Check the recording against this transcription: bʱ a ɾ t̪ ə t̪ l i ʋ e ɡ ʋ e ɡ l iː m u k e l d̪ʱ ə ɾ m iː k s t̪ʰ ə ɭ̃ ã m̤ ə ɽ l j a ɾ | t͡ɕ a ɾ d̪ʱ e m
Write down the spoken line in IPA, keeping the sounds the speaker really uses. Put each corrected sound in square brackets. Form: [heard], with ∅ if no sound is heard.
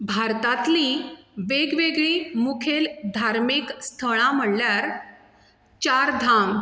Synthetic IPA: bʱ a ɾ t̪ [a] t̪ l i ʋ e ɡ ʋ e ɡ [ɭ] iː m u [kʰ] e l d̪ʱ [a] ɾ m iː k s t̪ʰ ə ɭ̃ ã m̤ ə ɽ l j a ɾ | t͡ɕ a ɾ d̪ʱ [a] m